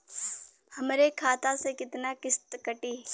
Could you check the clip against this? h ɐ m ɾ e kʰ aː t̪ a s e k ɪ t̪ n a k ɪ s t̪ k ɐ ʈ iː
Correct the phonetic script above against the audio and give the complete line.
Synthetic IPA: h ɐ m ɾ e kʰ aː t̪ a s e k ɪ t̪ n a k ɪ s t̪ k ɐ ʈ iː